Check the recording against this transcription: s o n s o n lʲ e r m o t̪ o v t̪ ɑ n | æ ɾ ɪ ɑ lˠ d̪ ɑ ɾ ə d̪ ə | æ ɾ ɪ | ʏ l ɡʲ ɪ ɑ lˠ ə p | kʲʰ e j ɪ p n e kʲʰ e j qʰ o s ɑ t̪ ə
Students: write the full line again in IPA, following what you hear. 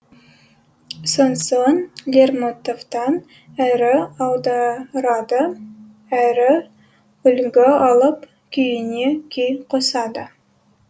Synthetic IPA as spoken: s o n s o n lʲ e r m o t̪ o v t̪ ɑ n | æ ɾ ɪ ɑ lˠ d̪ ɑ ɾ ɑ d̪ ə | æ ɾ ɪ | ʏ l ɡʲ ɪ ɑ lˠ ə p | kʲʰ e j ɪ n e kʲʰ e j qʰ o s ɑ d̪ ə